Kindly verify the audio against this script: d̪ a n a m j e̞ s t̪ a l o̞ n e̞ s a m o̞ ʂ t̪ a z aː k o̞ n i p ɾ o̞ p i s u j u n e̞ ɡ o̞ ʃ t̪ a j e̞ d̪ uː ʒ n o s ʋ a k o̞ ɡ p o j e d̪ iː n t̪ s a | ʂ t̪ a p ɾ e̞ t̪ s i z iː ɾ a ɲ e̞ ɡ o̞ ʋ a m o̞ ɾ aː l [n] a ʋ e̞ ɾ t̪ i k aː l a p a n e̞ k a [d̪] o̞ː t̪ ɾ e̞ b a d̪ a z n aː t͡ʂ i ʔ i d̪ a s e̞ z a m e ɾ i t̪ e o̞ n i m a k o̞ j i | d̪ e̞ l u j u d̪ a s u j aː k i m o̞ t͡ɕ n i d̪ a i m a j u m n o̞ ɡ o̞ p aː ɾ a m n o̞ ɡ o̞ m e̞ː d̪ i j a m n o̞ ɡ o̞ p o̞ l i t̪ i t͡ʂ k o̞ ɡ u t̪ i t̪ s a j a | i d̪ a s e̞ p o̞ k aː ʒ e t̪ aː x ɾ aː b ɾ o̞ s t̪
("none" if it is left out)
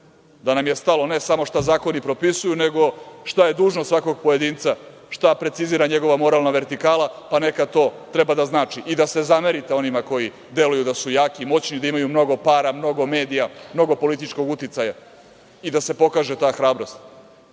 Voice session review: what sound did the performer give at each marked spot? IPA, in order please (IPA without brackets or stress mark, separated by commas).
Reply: n, t̪